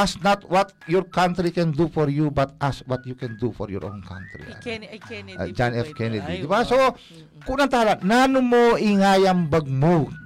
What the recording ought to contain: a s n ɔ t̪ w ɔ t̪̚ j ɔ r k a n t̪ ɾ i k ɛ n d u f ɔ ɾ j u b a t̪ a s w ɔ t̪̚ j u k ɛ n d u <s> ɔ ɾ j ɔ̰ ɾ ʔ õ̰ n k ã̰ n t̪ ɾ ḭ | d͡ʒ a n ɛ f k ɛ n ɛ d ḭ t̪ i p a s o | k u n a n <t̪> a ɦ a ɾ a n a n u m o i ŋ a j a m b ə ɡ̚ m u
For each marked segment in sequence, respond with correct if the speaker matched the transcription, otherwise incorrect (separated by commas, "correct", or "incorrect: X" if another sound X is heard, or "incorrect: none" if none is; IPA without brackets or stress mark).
incorrect: f, correct